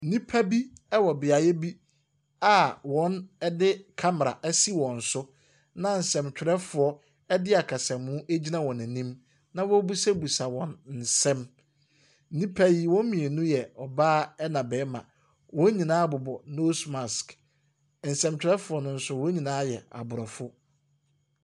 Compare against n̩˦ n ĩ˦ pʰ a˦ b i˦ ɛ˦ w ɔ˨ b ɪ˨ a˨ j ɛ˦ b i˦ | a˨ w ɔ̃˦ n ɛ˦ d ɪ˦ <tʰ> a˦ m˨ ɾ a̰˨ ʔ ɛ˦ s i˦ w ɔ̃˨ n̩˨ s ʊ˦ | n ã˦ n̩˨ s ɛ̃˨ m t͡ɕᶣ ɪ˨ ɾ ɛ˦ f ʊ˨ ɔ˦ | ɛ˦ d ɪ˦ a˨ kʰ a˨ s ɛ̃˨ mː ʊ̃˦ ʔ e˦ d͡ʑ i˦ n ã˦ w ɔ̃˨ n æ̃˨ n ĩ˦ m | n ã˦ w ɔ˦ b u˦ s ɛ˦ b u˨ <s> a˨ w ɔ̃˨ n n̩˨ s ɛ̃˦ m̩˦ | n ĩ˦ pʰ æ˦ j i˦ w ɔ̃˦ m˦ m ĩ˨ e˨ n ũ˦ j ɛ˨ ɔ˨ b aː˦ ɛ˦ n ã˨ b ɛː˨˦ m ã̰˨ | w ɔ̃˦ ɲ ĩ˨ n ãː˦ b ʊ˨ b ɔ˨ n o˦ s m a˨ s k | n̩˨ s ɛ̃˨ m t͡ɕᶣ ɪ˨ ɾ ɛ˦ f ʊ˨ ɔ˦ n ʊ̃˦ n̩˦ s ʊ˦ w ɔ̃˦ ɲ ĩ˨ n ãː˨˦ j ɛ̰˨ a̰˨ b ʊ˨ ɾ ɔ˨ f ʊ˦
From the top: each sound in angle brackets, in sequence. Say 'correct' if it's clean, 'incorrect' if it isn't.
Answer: incorrect: kʰ, correct

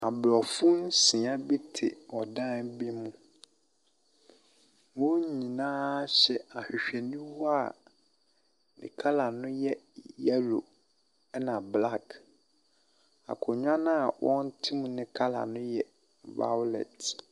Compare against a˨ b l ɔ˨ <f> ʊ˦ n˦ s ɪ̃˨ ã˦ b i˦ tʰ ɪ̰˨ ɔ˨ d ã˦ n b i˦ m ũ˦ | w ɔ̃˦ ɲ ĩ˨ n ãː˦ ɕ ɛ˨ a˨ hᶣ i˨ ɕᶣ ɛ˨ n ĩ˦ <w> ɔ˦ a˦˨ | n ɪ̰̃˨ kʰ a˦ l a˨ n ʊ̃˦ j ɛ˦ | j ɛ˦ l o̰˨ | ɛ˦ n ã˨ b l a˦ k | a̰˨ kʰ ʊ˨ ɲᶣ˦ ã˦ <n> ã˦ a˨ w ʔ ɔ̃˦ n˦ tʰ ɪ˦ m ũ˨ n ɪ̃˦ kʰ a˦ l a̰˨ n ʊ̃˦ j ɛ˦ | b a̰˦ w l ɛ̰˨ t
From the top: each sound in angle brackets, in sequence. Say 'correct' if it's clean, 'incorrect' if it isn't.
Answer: correct, correct, correct

